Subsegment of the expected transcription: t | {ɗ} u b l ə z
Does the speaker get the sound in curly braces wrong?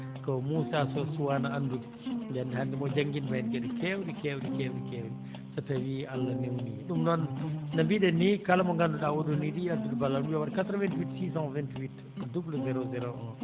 yes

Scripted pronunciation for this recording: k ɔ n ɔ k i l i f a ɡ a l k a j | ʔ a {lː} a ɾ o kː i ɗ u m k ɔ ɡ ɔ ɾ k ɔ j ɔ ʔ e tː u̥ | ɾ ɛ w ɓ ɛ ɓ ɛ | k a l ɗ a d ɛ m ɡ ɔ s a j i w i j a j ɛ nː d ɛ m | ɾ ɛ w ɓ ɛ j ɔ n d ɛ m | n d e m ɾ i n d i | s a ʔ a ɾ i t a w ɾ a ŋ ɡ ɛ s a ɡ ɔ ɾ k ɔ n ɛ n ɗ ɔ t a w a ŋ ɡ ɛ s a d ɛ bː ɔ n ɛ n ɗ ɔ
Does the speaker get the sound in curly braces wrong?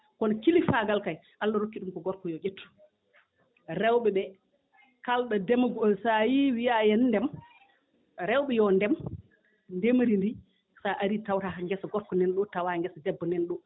no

